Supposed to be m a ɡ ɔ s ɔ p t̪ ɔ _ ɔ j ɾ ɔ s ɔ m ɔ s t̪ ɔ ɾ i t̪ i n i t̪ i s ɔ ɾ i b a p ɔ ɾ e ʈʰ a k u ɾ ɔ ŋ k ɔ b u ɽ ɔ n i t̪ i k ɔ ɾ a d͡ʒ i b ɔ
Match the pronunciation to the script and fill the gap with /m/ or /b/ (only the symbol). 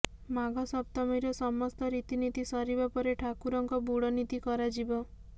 m